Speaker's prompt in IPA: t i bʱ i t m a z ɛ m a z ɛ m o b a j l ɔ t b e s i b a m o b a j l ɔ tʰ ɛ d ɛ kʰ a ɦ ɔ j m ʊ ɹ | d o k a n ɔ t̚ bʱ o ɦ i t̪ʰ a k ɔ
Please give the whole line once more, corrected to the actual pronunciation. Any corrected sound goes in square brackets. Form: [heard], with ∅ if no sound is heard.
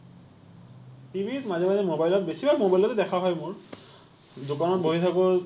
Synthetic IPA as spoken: t i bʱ i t m a z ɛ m a z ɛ m o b a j l ɔ t b e s i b a m o b a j l ɔ [t] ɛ d ɛ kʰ a ɦ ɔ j m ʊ ɹ | d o k a n ɔ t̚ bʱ o ɦ i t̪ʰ a k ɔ